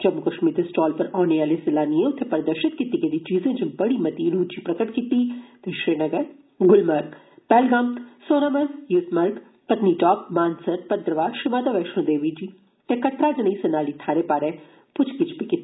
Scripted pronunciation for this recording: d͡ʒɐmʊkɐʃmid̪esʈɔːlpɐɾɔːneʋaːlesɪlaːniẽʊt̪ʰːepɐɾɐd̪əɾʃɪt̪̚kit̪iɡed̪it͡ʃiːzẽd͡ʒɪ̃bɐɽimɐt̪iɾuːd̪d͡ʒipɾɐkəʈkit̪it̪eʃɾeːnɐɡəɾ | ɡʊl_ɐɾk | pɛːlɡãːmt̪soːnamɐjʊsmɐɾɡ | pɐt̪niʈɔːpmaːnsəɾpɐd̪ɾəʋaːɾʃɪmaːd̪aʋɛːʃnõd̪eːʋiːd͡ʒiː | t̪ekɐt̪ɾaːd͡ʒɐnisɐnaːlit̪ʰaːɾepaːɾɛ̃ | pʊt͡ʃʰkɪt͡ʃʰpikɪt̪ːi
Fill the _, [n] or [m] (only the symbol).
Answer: m